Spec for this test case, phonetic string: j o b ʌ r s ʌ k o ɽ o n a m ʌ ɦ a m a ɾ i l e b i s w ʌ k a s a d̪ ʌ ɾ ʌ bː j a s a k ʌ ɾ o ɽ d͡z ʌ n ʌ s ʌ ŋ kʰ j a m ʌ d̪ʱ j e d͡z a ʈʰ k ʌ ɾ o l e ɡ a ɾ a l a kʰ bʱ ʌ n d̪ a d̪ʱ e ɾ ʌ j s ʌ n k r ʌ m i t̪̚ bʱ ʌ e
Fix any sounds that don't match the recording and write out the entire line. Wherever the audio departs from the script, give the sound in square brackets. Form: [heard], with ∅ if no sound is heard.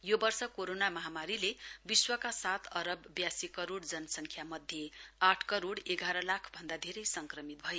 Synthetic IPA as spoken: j o b ʌ r s ʌ k o [ɾ] o n a m ʌ ɦ a m a ɾ i l e b i s w ʌ k a s a [t̪] ʌ ɾ ʌ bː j a s [i] k ʌ ɾ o ɽ d͡z ʌ n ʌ s ʌ ŋ kʰ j a m ʌ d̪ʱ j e [∅] a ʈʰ k ʌ ɾ o [ɽ] e ɡ a ɾ [ʌ] l a kʰ bʱ ʌ n d̪ a d̪ʱ e ɾ ʌ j s ʌ [ŋ] k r ʌ m i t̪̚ bʱ ʌ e